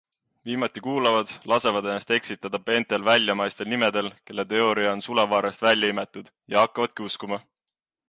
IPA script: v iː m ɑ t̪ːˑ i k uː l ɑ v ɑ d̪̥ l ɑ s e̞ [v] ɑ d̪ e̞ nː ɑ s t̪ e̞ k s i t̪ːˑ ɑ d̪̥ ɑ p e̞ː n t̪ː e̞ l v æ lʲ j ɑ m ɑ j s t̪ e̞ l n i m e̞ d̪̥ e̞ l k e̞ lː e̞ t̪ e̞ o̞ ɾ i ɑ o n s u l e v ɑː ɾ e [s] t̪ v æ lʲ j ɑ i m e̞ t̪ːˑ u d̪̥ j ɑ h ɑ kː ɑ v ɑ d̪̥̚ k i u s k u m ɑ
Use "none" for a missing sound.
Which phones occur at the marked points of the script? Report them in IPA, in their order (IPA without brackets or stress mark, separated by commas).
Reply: v, s